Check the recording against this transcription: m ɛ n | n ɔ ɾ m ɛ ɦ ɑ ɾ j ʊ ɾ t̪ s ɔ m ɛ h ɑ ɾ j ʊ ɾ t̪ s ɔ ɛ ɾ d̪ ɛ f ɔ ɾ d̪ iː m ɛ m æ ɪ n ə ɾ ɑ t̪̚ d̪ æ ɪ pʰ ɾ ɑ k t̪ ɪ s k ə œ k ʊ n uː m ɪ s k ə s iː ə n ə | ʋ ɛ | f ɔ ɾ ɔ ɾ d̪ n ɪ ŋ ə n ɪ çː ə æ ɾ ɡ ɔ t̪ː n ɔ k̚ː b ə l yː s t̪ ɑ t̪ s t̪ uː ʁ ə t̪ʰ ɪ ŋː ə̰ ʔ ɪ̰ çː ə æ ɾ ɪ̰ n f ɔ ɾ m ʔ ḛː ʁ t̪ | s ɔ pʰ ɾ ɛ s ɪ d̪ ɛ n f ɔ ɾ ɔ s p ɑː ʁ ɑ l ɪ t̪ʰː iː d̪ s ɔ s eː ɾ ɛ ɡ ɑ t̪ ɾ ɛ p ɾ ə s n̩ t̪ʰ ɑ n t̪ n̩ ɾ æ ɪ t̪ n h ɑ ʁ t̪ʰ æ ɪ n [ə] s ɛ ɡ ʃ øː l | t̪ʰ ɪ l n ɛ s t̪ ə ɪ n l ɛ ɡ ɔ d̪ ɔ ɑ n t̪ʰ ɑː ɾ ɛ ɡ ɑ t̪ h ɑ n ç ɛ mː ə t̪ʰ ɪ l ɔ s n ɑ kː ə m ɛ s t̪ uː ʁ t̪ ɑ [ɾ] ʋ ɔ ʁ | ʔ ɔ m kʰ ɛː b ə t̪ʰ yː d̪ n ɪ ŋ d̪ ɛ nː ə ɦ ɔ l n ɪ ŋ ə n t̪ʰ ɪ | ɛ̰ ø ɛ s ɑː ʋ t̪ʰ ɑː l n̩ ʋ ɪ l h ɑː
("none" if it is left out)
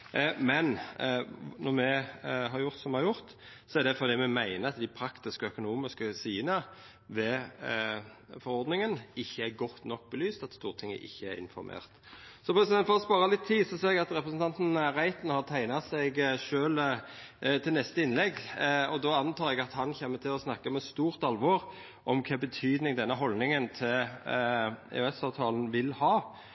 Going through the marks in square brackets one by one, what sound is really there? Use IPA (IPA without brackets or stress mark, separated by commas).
ɑ, l